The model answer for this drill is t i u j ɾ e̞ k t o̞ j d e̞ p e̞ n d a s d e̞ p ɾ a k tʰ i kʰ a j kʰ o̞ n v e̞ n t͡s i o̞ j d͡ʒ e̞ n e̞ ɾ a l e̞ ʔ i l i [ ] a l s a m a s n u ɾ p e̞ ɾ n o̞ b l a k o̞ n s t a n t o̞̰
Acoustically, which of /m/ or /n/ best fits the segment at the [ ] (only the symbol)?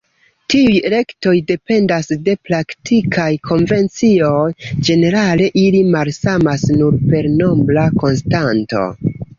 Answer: m